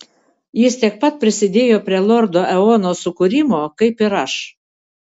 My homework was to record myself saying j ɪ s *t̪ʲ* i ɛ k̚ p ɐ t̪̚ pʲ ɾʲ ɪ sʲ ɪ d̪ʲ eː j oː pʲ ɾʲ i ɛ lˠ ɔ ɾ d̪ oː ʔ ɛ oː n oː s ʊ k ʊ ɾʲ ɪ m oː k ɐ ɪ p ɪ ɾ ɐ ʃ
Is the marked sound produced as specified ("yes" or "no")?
yes